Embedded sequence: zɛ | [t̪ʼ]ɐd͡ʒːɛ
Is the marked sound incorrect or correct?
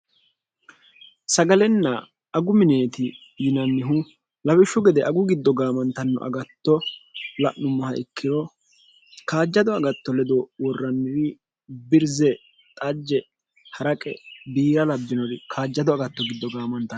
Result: correct